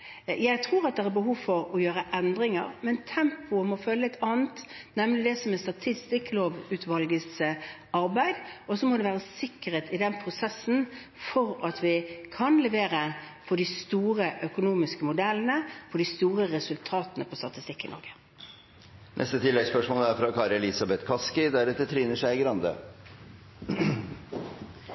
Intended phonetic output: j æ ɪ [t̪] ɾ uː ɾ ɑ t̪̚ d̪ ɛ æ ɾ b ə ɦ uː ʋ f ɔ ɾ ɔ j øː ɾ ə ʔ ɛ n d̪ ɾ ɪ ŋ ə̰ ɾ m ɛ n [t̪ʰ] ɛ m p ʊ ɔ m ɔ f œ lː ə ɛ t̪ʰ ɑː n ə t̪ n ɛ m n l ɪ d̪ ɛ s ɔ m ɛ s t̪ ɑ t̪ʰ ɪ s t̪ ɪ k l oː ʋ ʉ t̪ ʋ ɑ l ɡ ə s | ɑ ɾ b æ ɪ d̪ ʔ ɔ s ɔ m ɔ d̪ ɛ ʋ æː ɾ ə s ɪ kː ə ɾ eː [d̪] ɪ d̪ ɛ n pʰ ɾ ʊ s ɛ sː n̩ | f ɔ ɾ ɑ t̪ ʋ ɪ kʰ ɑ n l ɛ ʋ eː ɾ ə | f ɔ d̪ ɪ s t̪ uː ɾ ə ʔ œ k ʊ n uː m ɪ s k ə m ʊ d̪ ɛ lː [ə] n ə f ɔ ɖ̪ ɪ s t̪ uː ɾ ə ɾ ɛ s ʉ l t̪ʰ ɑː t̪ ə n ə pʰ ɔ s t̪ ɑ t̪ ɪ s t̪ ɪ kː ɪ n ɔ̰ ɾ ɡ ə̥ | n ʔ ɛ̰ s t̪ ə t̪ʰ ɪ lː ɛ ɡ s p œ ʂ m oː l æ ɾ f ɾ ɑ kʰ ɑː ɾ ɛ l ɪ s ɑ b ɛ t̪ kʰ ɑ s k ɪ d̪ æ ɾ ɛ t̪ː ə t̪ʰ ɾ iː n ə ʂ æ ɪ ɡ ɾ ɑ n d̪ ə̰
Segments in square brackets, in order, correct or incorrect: incorrect: t̪ʰ, correct, incorrect: t̪, correct

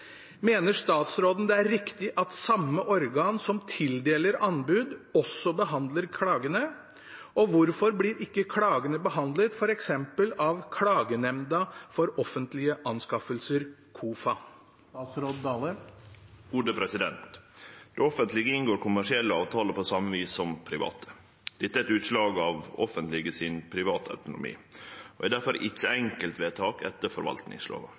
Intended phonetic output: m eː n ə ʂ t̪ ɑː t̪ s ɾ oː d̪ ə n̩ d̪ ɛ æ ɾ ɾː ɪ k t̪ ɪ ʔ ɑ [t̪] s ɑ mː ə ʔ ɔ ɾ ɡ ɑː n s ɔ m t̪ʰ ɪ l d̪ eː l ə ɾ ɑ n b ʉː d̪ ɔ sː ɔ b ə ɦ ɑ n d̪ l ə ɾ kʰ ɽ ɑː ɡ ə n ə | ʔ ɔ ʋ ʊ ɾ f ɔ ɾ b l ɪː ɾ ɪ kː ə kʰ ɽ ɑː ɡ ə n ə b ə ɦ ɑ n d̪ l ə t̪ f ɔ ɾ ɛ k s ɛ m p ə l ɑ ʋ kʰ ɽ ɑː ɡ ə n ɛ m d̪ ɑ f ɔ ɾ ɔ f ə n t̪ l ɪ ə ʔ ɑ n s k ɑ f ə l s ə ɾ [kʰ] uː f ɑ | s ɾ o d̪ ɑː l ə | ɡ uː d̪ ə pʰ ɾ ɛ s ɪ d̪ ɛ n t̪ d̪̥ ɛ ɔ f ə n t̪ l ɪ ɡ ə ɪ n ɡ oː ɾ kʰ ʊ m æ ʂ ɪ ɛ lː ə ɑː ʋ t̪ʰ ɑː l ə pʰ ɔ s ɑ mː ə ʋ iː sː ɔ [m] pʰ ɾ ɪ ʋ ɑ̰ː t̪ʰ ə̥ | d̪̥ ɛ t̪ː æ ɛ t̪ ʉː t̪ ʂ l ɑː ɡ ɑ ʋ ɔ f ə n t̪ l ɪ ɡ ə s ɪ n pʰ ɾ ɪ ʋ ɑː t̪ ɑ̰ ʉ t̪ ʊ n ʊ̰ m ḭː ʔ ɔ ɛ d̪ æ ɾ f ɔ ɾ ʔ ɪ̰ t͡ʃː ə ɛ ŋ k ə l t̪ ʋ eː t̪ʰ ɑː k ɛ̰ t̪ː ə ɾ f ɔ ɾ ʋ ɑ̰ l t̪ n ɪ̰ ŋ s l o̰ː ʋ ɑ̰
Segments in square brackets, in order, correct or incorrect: correct, correct, correct

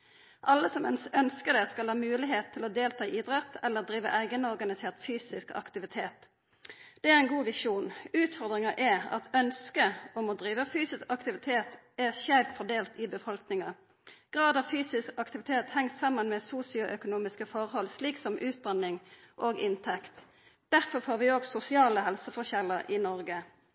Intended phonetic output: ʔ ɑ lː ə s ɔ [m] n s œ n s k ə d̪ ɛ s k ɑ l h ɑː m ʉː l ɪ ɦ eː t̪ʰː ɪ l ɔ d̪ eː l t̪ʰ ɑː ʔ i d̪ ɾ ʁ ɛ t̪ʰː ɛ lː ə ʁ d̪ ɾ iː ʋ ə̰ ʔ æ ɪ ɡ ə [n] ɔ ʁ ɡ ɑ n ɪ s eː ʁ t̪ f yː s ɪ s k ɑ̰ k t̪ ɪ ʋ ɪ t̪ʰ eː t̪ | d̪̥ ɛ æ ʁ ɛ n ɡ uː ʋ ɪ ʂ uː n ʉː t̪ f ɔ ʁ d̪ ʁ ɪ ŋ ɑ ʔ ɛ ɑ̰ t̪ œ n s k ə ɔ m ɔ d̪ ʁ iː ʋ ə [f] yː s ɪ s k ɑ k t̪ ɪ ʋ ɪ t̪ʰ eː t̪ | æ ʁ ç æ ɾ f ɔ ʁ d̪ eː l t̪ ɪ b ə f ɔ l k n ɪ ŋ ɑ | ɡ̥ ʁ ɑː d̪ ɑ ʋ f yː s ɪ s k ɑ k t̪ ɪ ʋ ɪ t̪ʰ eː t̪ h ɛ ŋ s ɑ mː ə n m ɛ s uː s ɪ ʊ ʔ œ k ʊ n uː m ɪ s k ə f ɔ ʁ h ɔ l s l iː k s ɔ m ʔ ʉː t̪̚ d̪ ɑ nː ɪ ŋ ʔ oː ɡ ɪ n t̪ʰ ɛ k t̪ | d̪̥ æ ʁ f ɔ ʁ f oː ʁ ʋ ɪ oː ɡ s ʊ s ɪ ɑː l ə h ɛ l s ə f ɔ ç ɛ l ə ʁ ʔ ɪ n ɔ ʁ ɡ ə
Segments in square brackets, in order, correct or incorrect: correct, correct, correct

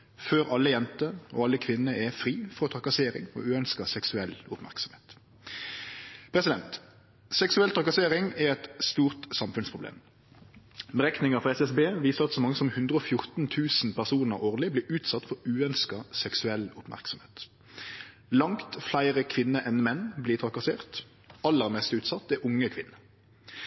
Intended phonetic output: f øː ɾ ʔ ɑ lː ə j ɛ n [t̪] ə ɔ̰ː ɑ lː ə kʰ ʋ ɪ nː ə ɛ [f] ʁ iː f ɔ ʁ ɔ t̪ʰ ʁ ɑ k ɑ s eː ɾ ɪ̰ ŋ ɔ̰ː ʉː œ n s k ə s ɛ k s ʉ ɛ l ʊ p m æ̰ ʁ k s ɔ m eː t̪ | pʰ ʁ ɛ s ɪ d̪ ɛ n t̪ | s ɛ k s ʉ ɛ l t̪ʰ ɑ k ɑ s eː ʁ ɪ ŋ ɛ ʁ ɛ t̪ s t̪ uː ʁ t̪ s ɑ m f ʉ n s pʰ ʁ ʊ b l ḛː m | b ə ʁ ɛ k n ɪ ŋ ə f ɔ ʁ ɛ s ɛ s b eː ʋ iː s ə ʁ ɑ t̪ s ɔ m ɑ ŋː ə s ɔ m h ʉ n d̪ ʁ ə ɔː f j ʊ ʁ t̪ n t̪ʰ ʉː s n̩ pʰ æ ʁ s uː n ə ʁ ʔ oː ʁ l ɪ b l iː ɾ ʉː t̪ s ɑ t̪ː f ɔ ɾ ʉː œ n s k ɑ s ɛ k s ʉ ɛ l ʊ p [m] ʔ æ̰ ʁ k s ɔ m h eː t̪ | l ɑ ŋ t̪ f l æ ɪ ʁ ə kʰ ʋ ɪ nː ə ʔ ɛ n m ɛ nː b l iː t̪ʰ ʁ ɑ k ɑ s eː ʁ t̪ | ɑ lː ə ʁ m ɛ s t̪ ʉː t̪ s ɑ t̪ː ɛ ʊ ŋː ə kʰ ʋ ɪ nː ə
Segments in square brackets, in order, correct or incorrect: correct, correct, correct

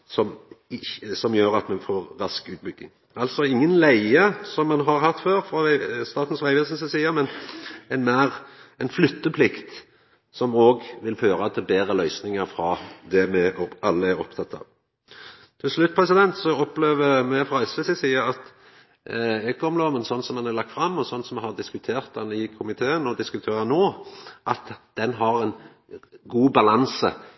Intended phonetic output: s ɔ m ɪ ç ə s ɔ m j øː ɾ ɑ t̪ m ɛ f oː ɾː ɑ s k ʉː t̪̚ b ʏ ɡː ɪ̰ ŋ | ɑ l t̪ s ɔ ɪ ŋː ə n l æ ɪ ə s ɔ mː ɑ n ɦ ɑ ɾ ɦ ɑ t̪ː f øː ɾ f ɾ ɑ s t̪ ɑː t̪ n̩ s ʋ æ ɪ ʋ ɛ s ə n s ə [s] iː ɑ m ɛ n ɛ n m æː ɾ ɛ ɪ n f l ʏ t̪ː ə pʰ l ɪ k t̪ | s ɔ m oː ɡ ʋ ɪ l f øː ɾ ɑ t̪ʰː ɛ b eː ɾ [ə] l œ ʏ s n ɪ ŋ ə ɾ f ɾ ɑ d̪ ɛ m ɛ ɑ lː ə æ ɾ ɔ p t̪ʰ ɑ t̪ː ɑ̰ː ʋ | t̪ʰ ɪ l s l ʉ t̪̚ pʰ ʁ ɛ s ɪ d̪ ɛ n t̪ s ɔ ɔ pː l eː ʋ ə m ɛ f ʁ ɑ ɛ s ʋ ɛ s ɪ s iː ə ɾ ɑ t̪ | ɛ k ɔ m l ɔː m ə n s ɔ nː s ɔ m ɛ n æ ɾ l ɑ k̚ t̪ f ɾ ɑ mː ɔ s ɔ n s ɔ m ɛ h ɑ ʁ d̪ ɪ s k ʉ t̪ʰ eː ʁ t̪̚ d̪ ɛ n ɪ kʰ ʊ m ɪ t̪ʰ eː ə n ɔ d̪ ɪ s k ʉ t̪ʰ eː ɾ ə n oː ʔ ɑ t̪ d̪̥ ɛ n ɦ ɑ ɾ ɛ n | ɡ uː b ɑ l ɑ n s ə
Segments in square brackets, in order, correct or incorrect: correct, correct

